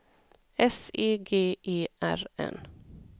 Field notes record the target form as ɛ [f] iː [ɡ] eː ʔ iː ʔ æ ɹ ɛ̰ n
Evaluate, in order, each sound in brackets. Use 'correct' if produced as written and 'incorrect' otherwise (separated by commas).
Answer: incorrect, correct